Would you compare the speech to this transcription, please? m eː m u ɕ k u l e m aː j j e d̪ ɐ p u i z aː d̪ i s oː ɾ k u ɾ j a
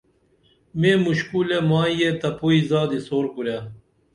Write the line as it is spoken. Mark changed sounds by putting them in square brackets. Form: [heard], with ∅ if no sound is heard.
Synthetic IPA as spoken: m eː m u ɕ k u l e m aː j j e [t̪] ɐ p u i z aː d̪ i s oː ɾ k u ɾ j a